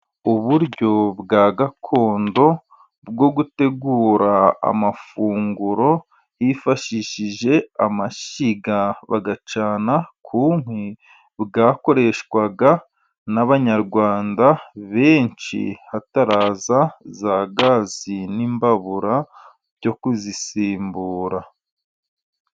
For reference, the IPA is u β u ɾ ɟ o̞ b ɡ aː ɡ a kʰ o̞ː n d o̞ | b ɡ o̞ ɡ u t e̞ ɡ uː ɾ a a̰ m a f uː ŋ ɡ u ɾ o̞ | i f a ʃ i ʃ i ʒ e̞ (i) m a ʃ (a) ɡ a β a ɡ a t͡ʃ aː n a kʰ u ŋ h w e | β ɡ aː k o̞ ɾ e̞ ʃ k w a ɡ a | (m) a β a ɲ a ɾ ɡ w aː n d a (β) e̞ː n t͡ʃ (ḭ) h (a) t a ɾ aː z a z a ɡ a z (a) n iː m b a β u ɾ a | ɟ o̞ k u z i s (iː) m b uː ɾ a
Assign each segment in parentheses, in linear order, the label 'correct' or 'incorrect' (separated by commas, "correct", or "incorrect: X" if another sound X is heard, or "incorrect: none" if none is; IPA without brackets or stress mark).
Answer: incorrect: a, incorrect: i, incorrect: n, correct, correct, correct, incorrect: i, correct